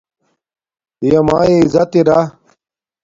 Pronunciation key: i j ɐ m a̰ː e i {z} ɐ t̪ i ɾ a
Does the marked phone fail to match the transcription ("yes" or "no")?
no